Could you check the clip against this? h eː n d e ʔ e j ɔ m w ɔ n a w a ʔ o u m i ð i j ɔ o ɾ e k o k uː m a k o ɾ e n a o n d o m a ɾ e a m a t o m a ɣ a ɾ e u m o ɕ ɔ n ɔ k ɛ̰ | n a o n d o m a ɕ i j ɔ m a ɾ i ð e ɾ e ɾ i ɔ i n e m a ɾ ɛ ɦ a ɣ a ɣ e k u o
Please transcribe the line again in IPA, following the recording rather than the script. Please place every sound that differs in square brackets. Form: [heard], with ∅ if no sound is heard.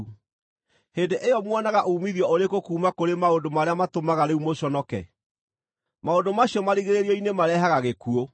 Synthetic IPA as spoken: h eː n d e ʔ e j ɔ m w ɔ n a [ɣ] a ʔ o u m i ð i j ɔ o ɾ e k o k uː m a k o ɾ e [m] a o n d o m a ɾ e a m a t o m a ɣ a ɾ e u m o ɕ ɔ n ɔ k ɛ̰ | [m] a o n d o m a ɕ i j ɔ m a ɾ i [ɣ] e ɾ e ɾ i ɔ i n e m a ɾ ɛ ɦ a ɣ a ɣ e k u o